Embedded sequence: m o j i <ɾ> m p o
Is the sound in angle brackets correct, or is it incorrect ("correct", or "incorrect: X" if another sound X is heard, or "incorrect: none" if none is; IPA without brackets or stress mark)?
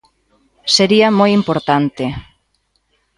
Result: incorrect: none